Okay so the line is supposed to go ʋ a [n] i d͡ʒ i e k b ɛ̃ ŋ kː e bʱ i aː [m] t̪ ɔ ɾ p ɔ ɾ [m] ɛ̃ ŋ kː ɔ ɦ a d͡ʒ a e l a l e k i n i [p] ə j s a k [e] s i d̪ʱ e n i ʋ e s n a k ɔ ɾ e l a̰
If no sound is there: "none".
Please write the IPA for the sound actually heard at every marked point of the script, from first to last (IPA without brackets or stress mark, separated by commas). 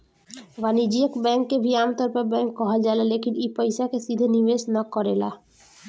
n, m, b, p, e